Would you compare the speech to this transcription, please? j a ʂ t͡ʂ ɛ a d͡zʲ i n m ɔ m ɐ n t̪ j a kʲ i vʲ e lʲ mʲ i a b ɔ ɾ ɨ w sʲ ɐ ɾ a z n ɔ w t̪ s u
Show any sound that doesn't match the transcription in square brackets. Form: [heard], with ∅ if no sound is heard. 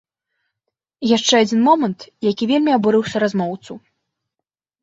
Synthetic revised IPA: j a ʂ t͡ʂ ɛ a d͡zʲ i n m ɔ m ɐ n t̪ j a kʲ i vʲ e lʲ mʲ i a b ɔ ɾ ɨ w sʲ ɐ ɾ a z [m] ɔ w t̪ s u

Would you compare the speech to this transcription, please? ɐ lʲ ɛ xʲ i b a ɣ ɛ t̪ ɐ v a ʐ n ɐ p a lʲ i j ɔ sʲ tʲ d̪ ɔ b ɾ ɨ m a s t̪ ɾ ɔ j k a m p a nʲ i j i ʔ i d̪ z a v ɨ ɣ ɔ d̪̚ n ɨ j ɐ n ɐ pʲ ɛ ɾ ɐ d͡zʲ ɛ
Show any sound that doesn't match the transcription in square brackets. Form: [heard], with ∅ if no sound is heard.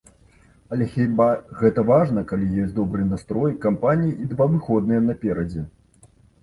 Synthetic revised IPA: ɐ lʲ ɛ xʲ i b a ɣ ɛ t̪ ɐ v a ʐ n ɐ [k] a lʲ i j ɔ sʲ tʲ d̪ ɔ b ɾ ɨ [n] a s t̪ ɾ ɔ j k a m p a nʲ i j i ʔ i d̪ [v] a v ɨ [x] ɔ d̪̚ n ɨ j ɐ n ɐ pʲ ɛ ɾ ɐ d͡zʲ ɛ

